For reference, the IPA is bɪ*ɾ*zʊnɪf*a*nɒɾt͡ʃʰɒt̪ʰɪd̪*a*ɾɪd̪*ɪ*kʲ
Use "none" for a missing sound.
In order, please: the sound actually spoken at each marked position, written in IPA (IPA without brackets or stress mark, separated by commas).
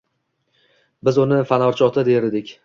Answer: none, a, e, ɪ